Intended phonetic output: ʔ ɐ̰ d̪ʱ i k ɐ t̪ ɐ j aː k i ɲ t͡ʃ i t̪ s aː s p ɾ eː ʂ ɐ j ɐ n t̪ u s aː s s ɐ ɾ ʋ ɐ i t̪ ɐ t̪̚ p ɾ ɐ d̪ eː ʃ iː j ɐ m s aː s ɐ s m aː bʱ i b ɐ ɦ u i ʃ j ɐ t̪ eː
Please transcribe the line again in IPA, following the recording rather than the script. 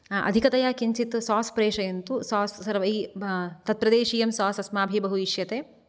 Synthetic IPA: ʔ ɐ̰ d̪ʱ i k ɐ t̪ ɐ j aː k i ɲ t͡ʃ i t̪ s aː s p ɾ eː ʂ ɐ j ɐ n t̪ u s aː s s ɐ ɾ ʋ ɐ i t̪ ɐ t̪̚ p ɾ ɐ d̪ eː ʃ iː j ɐ m s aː s ɐ s m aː bʱ i b ɐ ɦ u i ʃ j ɐ t̪ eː